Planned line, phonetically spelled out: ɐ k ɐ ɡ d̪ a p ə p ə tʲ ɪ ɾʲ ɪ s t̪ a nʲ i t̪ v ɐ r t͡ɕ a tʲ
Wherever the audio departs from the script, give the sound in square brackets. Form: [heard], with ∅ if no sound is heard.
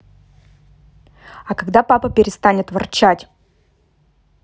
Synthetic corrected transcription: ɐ k ɐ ɡ d̪ a p [a] p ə [pʲ] ɪ ɾʲ ɪ s t̪ a nʲ [ɪ] t̪ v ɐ r t͡ɕ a tʲ